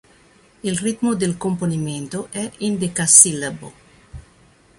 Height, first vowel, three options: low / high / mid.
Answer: high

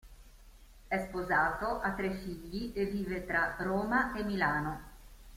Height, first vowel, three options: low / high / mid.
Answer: mid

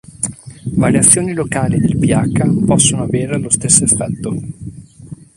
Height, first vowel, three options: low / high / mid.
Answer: low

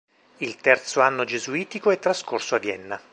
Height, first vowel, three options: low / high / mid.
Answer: high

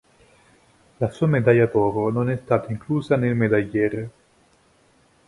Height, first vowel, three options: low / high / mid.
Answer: low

